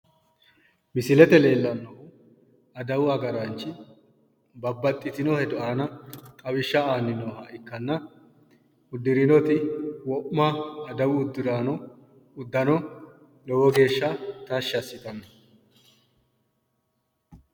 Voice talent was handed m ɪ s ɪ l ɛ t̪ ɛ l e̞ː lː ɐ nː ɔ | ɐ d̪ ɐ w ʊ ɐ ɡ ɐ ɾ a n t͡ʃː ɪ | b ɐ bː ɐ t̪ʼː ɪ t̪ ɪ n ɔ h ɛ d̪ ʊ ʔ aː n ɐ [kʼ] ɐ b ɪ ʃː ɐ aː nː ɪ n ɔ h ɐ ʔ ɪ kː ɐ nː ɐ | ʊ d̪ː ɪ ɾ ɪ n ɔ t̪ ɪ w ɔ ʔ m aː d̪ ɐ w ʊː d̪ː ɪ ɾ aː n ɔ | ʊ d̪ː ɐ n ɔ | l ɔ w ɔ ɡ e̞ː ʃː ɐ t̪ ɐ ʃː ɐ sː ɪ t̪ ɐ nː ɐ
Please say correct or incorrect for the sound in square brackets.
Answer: correct